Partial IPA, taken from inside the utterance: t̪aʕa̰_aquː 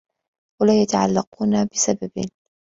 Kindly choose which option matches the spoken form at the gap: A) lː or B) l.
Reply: A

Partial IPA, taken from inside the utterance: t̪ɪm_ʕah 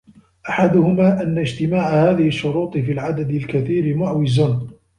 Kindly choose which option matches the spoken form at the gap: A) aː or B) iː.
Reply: A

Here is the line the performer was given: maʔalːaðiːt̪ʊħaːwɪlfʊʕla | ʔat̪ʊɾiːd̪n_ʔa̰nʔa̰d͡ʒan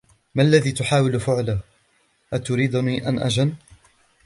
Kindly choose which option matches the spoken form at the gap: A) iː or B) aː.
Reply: A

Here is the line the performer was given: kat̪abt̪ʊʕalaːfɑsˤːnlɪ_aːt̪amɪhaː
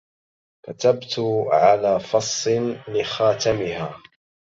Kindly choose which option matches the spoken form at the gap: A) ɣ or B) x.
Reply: B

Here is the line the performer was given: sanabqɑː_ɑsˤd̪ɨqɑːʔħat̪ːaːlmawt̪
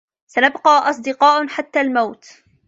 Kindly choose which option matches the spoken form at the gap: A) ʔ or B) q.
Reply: A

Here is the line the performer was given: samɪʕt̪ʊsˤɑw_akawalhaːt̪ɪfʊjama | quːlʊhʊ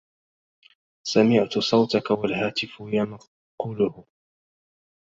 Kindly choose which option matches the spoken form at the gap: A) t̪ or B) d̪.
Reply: A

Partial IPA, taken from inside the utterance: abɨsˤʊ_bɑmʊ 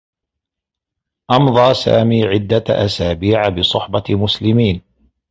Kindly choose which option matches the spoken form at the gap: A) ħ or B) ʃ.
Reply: A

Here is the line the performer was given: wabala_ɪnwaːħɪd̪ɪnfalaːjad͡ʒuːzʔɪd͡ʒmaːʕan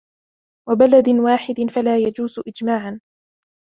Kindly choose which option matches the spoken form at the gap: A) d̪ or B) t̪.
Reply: A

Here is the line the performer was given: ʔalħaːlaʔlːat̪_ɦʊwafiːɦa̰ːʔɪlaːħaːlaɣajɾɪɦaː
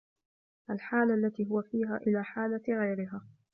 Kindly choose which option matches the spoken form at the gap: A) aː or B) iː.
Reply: B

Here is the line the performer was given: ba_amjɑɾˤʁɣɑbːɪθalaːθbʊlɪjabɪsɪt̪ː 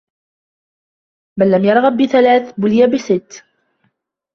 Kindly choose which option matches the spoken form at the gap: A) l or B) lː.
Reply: B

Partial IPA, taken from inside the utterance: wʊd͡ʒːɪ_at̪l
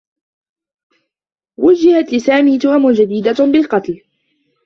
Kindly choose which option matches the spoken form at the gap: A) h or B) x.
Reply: A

